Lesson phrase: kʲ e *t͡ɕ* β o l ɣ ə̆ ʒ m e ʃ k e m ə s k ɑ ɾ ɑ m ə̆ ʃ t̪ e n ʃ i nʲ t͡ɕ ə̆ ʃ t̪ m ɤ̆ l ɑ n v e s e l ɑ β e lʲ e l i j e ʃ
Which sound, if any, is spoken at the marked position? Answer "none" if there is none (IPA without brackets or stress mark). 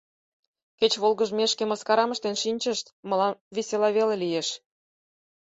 t͡ɕ